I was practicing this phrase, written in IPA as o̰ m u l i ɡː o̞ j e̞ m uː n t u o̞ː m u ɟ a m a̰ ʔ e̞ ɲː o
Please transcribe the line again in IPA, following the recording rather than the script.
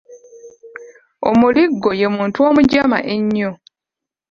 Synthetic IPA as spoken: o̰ m u l i ɡː o̞ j e̞ m uː n t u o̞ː m u ɟ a m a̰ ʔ e̞ ɲː o